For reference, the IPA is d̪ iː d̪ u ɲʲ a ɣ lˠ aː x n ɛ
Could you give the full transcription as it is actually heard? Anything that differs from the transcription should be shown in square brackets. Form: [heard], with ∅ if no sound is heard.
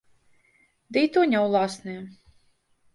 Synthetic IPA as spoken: d̪ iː [t̪] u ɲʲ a [w] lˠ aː [s] n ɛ